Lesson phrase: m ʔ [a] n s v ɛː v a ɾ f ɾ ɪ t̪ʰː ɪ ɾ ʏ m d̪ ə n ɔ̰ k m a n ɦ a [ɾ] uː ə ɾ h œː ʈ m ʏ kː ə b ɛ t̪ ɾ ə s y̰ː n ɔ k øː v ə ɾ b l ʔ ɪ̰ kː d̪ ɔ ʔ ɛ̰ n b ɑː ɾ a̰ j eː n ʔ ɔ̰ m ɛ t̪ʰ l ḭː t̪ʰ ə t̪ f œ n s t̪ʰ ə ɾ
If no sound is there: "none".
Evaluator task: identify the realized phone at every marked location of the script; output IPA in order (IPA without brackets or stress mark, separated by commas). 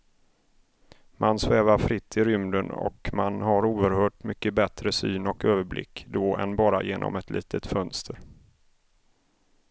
a, ɾ